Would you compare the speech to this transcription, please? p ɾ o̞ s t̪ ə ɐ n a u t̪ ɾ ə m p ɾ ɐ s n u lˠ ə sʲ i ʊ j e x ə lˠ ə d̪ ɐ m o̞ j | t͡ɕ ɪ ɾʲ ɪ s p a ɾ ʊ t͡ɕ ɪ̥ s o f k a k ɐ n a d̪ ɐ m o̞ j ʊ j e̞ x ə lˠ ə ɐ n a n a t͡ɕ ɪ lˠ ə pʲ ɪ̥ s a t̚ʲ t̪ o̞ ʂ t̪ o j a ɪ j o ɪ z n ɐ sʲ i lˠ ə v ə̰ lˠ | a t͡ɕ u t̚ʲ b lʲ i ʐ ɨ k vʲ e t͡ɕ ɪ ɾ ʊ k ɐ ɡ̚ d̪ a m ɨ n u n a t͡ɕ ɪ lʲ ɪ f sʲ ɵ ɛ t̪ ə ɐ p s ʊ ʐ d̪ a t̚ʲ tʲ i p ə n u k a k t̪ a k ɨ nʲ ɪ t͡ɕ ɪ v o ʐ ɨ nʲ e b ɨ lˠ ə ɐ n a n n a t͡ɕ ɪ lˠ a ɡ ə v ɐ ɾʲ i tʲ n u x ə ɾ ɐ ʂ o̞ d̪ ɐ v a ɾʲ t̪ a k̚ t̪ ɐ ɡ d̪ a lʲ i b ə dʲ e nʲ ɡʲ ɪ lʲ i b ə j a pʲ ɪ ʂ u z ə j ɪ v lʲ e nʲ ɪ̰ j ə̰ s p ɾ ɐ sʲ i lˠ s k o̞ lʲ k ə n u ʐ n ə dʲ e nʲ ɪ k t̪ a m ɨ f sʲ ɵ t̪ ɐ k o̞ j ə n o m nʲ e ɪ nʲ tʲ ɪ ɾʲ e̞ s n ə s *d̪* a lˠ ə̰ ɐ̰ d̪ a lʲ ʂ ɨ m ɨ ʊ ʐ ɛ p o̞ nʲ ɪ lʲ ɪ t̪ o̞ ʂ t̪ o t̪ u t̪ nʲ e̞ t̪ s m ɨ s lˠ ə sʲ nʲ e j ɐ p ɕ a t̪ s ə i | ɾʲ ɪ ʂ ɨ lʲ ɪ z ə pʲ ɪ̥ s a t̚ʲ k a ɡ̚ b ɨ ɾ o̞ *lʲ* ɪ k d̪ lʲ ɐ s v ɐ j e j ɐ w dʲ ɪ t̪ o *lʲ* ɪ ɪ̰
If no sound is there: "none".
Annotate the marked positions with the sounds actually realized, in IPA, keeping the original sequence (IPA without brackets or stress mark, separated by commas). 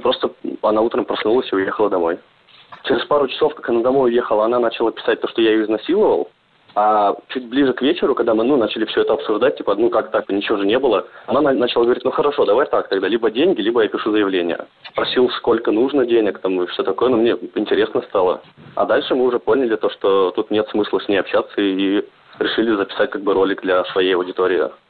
t̪, lʲ, ɾʲ